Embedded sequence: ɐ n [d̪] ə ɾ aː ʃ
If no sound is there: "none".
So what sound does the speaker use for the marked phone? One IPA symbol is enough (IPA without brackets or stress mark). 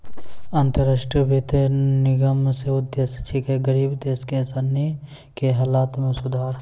t̪